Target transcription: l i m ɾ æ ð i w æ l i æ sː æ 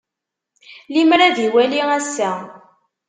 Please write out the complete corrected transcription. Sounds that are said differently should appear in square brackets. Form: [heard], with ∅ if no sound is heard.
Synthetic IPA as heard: l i m ɾ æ ð i w æ l i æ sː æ